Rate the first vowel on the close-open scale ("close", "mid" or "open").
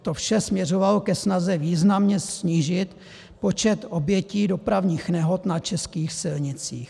mid